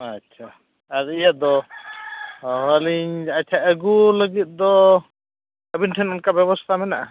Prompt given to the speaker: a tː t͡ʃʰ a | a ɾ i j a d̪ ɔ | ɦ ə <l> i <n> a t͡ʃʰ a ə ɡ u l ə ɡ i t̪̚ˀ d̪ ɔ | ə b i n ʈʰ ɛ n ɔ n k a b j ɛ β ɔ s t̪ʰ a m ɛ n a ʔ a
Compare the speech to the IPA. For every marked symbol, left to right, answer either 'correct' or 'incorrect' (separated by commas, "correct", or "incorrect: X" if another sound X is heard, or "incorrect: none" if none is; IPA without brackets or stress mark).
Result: correct, incorrect: ɲ